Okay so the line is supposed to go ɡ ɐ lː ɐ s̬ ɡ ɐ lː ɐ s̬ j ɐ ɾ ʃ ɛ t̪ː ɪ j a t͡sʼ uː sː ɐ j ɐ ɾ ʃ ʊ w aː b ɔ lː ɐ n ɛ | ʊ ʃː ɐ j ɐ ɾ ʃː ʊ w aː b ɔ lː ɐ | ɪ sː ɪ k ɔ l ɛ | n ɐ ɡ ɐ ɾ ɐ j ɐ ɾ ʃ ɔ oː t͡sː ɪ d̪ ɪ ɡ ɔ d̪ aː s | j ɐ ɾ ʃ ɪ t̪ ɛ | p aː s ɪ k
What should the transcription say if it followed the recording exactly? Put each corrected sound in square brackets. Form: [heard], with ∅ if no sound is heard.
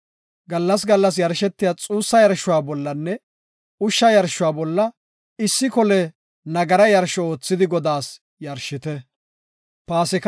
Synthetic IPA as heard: ɡ ɐ lː ɐ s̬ ɡ ɐ lː ɐ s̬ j ɐ ɾ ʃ ɛ t̪ː ɪ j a t͡sʼ uː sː ɐ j ɐ ɾ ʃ ʊ w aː b ɔ lː ɐ [nː] ɛ | ʊ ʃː ɐ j ɐ ɾ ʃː ʊ w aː b ɔ lː ɐ | ɪ sː ɪ k ɔ l ɛ | n ɐ ɡ ɐ ɾ ɐ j ɐ ɾ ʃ ɔ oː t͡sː ɪ d̪ ɪ ɡ ɔ d̪ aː s | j ɐ ɾ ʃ ɪ t̪ ɛ | p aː s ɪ k